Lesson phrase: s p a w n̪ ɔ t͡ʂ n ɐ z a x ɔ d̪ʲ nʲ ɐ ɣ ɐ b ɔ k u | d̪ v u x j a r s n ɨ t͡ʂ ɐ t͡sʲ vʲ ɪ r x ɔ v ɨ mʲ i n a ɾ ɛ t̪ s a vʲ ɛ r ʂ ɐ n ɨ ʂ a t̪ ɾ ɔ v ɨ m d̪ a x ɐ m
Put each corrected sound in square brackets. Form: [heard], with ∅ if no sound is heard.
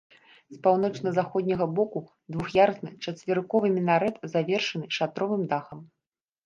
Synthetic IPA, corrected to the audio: s p a w n̪ ɔ t͡ʂ n ɐ z a x ɔ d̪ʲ nʲ ɐ ɣ ɐ b ɔ k u | d̪ v u x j a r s n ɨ t͡ʂ ɐ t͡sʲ vʲ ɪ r [k] ɔ v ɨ mʲ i n a ɾ ɛ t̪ [z] a vʲ ɛ r ʂ ɐ n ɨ ʂ a t̪ ɾ ɔ v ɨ m d̪ a x ɐ m